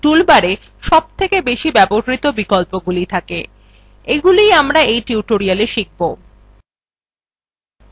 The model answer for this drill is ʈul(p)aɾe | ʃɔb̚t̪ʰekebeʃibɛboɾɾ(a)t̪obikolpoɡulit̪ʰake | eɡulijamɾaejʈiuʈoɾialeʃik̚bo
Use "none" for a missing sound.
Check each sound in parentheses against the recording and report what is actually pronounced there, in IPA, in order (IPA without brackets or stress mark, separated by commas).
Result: b, i